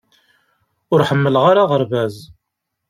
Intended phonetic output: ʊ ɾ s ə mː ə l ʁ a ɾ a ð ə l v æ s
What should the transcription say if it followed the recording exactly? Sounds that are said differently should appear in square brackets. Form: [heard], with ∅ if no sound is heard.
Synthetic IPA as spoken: ʊ ɾ [ħ] ə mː ə l ʁ a ɾ a [ʁ] ə [ɾ] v æ [z]